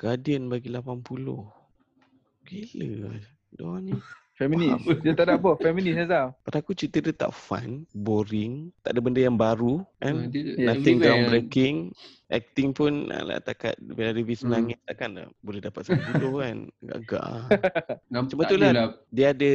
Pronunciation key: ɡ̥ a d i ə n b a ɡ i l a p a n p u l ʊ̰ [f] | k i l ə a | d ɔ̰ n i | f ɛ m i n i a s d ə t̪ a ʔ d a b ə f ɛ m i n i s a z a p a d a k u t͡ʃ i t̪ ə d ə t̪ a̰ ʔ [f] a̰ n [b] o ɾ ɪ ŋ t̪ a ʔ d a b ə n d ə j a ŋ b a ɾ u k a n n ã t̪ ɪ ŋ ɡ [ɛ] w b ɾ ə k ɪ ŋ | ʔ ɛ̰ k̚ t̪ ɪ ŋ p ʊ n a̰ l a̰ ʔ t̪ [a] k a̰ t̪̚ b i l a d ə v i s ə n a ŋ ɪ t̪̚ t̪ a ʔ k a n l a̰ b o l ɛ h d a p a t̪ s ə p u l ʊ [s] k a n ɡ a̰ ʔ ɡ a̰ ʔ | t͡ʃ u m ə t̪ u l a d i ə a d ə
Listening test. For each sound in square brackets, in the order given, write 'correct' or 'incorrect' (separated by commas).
incorrect, correct, correct, incorrect, correct, incorrect